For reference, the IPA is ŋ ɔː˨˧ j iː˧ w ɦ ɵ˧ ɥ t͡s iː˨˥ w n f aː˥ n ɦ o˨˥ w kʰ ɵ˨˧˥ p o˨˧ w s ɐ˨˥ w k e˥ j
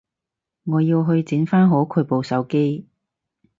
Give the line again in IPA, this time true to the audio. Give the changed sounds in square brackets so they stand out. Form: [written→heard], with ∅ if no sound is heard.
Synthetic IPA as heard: ŋ ɔː˨˧ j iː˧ w ɦ ɵ˧ ɥ t͡s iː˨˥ [w→∅] n f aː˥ n ɦ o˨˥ w kʰ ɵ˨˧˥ p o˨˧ w s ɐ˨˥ w k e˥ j